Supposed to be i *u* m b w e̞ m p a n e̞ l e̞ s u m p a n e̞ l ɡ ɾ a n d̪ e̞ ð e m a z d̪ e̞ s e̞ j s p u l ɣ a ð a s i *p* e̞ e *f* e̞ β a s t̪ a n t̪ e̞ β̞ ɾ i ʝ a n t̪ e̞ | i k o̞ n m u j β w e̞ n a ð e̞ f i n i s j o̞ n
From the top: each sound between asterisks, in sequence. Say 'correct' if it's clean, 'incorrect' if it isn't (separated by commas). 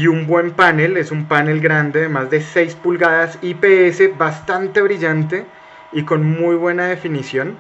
correct, correct, incorrect